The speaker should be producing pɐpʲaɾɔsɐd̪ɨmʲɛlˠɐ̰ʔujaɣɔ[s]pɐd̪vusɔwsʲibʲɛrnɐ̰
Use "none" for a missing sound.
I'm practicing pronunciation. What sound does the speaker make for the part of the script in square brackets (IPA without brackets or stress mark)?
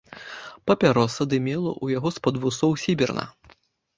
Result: s